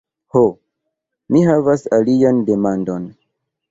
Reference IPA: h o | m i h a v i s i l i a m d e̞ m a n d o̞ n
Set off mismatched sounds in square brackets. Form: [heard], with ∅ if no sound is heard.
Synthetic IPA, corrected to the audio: h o | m i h a v [a] s [a] l i a [n] d e̞ m a n d o̞ n